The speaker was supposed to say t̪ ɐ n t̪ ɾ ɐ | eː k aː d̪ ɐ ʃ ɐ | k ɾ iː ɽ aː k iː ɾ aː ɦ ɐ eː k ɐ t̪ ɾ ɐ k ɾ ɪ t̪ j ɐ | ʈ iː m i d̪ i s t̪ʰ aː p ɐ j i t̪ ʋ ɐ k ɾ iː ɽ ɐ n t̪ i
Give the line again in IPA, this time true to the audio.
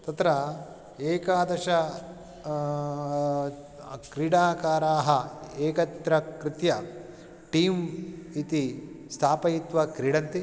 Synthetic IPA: t̪ ɐ t̪ ɾ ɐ | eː k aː d̪ ɐ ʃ ɐ | k ɾ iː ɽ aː k aː ɾ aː ɦ ɐ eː k ɐ t̪ ɾ ɐ k ɾ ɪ t̪ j ɐ | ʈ iː m i t̪ i s t̪ʰ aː p ɐ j i t̪ ʋ ɐ k ɾ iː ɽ ɐ n t̪ i